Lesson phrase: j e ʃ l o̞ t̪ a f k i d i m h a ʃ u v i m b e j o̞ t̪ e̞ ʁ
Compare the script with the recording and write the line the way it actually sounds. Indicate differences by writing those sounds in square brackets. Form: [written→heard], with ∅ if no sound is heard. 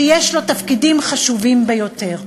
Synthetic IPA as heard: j e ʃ l o̞ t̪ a f k i d i m [h→χ] a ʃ u v i m b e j o̞ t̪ e̞ ʁ